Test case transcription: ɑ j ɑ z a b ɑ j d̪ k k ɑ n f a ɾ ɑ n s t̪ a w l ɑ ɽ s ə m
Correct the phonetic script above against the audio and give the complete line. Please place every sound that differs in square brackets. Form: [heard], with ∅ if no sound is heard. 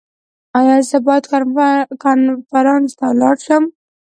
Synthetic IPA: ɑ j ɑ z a b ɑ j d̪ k k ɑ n f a ɾ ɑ n s t̪ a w l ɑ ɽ [ʃ] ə m